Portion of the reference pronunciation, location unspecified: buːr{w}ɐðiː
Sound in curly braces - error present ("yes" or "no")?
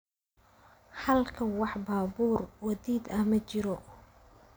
no